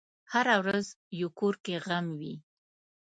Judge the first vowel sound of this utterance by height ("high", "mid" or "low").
low